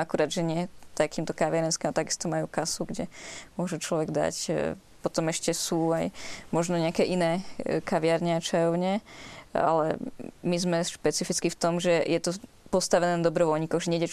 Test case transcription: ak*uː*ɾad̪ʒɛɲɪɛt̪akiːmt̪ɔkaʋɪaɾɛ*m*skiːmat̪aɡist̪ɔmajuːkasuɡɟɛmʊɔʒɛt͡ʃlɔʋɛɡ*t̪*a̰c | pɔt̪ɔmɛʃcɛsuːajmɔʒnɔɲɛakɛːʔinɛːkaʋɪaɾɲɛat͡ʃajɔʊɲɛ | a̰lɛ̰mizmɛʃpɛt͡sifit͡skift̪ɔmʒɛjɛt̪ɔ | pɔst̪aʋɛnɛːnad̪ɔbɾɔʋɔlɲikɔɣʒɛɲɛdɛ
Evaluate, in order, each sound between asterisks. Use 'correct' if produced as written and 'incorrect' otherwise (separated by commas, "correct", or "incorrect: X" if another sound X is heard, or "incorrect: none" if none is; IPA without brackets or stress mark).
incorrect: u, incorrect: n, incorrect: d̪